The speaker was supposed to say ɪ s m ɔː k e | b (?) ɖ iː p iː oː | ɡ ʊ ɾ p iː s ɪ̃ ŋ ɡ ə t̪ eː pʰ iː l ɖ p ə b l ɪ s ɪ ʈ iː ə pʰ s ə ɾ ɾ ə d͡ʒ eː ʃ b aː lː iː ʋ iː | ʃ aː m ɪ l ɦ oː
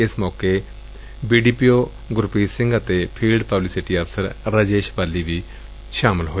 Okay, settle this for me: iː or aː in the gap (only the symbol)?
iː